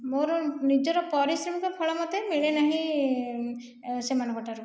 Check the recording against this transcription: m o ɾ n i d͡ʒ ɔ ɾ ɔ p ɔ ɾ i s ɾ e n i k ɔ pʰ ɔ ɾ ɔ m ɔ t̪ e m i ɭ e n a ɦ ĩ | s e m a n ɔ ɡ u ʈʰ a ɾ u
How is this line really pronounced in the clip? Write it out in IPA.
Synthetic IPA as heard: m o ɾ n i d͡ʒ ɔ ɾ ɔ p ɔ ɾ i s ɾ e m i k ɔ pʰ ɔ ɭ ɔ m ɔ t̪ e m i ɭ e n a ɦ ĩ | s e m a n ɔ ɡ ɔ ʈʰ a ɾ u